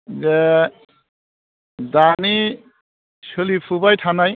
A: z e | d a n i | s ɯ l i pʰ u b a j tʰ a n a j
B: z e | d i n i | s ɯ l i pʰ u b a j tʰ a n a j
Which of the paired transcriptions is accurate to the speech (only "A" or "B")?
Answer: A